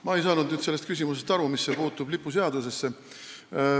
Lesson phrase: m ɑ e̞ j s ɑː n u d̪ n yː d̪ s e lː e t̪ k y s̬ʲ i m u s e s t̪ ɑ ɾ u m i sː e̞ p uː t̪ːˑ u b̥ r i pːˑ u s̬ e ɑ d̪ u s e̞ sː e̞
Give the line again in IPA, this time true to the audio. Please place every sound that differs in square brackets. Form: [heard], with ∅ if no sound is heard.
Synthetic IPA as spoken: m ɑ e̞ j s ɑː n u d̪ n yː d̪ s e lː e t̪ k y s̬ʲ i m u s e s t̪ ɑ ɾ u m i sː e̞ p uː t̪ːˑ u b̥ [l] i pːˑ u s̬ e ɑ d̪ u s e̞ sː e̞